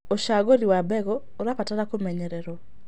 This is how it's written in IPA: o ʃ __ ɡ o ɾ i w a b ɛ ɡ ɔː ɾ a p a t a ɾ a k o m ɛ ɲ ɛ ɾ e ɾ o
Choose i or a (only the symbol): a